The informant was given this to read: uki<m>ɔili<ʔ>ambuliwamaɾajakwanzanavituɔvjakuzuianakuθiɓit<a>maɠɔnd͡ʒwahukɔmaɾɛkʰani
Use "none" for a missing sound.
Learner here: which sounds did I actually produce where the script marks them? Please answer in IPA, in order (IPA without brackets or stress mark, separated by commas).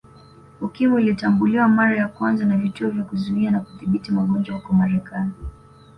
m, t, i